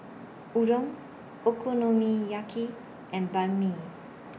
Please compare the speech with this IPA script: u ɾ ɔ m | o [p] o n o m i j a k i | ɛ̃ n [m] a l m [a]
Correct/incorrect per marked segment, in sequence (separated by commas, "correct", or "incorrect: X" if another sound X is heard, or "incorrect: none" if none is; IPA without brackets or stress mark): incorrect: k, incorrect: b, incorrect: i